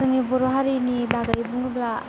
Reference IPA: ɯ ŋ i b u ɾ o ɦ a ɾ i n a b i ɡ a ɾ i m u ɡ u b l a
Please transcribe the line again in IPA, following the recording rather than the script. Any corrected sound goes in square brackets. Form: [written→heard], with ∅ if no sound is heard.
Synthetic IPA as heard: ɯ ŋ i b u ɾ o ɦ a ɾ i n [a→i] b [i→a] ɡ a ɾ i [m→b] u [ɡ→ŋ] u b l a